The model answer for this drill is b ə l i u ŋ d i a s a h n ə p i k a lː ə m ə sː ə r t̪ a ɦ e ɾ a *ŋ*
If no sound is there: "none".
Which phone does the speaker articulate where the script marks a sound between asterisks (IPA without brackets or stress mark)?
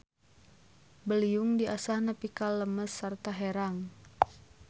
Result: ŋ